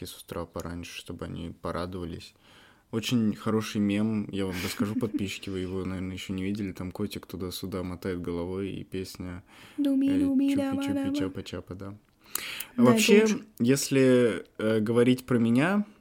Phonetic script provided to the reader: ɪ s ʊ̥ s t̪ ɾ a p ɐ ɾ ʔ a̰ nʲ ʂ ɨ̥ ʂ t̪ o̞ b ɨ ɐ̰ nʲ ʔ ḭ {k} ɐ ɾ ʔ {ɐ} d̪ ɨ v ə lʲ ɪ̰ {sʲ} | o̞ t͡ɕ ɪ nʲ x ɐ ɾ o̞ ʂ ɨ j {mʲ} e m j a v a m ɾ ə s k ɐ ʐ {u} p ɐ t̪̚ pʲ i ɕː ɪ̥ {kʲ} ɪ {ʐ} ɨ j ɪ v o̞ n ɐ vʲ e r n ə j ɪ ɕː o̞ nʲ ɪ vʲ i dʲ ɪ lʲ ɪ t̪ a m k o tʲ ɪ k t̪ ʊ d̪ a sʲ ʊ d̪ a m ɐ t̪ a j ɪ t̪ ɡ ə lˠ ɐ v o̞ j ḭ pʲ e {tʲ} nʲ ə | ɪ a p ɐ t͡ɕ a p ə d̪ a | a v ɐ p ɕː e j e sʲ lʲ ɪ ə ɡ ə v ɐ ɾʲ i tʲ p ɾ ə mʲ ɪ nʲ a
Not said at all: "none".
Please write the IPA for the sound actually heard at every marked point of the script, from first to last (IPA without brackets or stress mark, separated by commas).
p, a, sʲ, mʲ, u, kʲ, v, sʲ